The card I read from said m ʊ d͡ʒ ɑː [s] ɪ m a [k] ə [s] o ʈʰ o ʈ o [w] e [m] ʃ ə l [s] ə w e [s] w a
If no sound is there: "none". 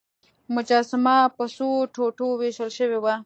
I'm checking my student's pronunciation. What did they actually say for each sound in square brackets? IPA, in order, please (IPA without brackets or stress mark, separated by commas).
s, p, s, w, none, ʃ, none